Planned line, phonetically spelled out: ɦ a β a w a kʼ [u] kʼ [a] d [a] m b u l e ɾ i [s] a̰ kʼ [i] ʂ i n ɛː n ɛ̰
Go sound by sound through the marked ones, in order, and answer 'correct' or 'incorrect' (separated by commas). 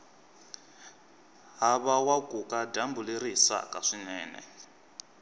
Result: correct, correct, correct, correct, incorrect